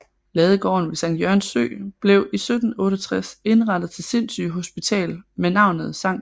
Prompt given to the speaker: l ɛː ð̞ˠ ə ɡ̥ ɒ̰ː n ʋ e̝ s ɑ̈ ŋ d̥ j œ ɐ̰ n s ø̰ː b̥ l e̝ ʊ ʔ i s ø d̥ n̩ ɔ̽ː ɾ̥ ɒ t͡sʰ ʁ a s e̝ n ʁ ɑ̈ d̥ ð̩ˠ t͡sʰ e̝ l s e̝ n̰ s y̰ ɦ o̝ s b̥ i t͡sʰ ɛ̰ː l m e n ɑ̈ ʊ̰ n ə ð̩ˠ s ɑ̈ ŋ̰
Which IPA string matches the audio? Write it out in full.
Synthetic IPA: l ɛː ð̞ˠ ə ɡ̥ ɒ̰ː n ʋ e̝ s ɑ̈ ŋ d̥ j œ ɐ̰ n s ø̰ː b̥ l e̝ ʊ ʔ i s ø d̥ n̩ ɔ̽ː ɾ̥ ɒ t͡sʰ ʁ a s e̝ n ʁ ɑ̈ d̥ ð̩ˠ t͡sʰ e̝ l s e̝ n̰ s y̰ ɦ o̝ s b̥ i t͡sʰ ɛ̰ː l m e n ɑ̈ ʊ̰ n ə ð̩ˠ s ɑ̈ ŋ̰

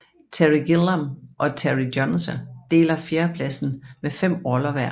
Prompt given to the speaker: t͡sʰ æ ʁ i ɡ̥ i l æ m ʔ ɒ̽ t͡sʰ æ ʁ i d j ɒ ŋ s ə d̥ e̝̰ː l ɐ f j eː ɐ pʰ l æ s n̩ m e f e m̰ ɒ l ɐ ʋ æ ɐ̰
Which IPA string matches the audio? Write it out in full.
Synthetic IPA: t͡sʰ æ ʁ i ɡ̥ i l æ m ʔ ɒ̽ t͡sʰ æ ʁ i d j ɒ n s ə d̥ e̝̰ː l ɐ f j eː ɐ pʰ l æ s n̩ m e f e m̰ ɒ l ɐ ʋ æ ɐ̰

